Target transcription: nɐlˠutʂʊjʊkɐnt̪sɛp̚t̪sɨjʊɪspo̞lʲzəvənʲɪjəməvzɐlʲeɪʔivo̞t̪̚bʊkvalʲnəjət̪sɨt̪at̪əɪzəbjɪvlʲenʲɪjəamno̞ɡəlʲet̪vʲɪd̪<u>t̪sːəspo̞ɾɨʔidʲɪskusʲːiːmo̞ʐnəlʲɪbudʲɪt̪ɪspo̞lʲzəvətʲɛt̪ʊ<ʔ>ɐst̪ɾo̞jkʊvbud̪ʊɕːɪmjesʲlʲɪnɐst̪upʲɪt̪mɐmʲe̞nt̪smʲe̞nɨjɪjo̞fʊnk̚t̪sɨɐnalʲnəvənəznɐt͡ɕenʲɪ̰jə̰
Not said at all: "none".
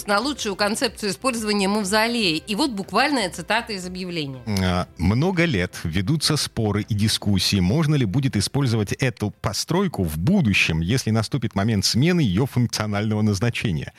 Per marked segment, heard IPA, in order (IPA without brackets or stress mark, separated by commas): u, p